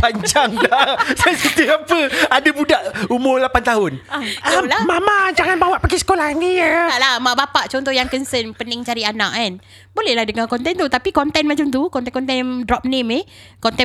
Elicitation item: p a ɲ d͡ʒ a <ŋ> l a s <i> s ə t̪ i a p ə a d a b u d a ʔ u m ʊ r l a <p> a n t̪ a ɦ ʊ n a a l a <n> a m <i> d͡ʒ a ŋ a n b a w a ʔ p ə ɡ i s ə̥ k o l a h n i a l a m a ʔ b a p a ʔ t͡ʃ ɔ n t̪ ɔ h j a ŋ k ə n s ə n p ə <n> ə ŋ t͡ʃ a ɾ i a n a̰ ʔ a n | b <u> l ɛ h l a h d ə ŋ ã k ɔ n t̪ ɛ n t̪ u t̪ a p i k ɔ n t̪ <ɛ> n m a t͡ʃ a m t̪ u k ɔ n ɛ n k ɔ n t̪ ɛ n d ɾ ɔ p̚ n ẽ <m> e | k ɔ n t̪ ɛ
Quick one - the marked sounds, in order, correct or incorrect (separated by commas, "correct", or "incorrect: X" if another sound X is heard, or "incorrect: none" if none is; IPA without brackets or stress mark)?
correct, incorrect: a, correct, incorrect: m, incorrect: a, correct, incorrect: o, correct, correct